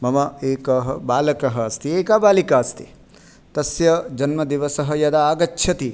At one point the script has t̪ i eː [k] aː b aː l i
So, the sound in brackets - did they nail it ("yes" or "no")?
yes